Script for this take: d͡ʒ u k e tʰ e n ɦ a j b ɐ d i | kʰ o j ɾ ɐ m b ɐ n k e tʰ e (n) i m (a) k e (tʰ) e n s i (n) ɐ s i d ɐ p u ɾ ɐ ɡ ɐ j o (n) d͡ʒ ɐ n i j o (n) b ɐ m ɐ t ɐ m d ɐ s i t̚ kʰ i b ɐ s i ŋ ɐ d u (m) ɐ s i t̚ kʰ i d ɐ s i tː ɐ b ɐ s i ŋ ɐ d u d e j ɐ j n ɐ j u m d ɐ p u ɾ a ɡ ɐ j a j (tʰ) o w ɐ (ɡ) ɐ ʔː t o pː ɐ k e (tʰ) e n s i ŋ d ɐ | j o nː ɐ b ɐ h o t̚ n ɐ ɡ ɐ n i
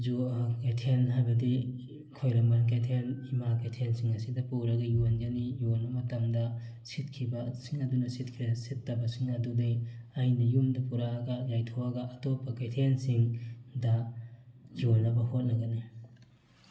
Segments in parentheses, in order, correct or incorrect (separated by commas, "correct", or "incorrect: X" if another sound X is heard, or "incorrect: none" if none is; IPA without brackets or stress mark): correct, correct, correct, incorrect: ŋ, correct, correct, incorrect: n, correct, correct, correct